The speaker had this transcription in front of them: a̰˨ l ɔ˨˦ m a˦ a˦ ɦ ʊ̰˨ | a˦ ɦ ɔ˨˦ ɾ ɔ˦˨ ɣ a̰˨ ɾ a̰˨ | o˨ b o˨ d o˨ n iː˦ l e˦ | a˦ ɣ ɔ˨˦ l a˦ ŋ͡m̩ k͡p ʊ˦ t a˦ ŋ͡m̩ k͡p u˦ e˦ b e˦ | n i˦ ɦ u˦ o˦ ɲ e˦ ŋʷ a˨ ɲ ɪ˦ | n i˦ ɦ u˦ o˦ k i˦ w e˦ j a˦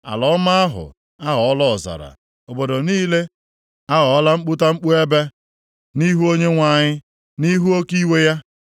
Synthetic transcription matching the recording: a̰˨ l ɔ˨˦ m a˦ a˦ ɦ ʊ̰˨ | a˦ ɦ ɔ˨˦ l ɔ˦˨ z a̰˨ ɾ a̰˨ | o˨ b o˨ d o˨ n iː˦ l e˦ | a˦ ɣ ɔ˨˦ l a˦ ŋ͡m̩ k͡p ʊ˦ t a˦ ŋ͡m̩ k͡p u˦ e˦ b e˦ | n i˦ ɦ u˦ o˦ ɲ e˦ ŋʷ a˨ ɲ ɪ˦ | n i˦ ɦ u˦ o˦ k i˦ w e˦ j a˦